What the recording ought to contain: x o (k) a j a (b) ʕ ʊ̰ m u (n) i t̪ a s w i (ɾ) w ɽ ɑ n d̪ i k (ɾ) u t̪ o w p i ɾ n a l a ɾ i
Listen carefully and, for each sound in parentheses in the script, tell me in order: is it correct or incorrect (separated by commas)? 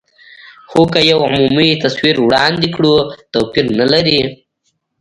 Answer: correct, incorrect, incorrect, correct, incorrect